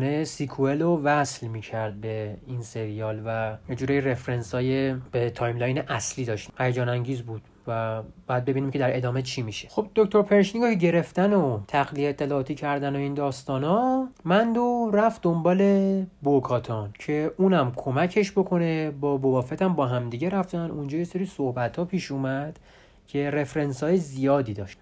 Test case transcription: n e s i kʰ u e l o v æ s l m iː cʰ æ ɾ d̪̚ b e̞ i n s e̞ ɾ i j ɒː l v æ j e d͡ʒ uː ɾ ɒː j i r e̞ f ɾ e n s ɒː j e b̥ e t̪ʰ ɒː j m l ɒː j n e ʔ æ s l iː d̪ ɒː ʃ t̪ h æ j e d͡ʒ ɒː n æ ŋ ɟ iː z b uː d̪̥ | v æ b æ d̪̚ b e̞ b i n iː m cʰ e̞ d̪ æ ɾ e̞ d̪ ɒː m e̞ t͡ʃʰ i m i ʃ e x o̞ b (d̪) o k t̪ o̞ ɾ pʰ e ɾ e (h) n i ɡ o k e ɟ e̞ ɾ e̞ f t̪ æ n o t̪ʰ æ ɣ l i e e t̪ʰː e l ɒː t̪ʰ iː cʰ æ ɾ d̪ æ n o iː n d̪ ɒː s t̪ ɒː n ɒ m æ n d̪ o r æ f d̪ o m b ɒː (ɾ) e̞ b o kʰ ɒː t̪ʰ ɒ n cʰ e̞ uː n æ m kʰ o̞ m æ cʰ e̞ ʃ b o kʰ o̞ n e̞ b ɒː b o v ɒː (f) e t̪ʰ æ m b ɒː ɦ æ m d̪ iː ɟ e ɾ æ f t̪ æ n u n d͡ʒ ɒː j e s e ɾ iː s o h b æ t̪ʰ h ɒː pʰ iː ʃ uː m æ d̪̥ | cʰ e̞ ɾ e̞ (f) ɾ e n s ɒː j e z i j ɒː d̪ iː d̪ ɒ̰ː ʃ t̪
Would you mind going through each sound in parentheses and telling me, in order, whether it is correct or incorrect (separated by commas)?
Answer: correct, incorrect, incorrect, correct, correct